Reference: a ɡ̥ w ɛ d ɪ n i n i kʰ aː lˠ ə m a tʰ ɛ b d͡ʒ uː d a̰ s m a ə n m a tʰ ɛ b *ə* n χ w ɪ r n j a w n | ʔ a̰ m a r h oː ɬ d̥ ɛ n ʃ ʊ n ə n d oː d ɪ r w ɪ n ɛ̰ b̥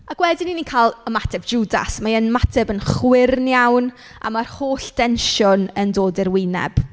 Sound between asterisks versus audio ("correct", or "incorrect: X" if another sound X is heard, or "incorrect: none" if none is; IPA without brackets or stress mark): correct